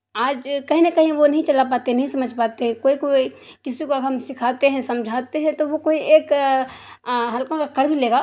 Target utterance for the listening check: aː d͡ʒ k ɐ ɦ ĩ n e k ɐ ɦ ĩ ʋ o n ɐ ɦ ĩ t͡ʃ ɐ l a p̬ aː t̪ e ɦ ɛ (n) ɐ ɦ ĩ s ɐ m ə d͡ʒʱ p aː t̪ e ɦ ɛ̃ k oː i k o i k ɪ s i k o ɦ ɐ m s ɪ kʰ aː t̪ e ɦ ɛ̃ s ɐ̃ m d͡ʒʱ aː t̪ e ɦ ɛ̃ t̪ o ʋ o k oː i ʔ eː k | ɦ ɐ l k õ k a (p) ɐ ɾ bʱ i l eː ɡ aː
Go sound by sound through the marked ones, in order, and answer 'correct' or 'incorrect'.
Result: correct, incorrect: k

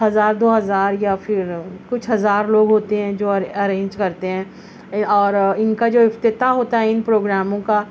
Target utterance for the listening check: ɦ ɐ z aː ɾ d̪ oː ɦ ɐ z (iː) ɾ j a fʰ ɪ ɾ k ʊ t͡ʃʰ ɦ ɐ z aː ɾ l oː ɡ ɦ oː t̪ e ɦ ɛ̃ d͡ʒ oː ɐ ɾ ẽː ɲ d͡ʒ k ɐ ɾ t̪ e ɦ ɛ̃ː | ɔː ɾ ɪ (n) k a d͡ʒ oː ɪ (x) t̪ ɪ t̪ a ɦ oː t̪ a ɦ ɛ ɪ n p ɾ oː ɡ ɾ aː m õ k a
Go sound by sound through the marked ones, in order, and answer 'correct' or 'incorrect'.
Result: incorrect: aː, correct, incorrect: f

